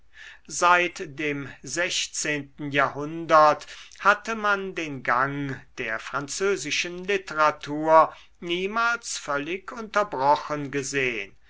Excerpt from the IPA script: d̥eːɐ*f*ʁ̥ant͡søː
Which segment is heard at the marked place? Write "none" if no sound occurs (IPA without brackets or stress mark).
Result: f